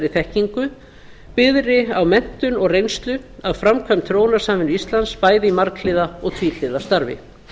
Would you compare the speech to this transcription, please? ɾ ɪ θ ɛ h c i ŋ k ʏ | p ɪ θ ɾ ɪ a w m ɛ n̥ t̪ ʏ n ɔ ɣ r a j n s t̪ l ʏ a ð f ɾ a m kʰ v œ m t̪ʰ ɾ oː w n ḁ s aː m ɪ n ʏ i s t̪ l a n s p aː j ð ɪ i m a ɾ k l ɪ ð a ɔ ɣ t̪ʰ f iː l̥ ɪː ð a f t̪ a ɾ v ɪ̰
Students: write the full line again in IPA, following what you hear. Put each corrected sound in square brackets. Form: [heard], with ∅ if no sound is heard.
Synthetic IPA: ɾ ɪ θ ɛ h c i ŋ k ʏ | p ɪ [ð] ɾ ɪ a w m ɛ n̥ t̪ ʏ n ɔ ɣ r [e] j n s t̪ l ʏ a ð f ɾ a m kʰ v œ m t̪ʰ ɾ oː w n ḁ s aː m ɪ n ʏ i s t̪ l a n s p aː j ð ɪ i m a ɾ k l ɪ ð a ɔ ɣ t̪ʰ [v] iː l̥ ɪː ð a [s] t̪ a ɾ v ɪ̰